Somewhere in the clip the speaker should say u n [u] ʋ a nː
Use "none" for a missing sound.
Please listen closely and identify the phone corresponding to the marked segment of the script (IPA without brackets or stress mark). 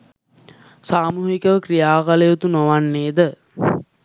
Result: o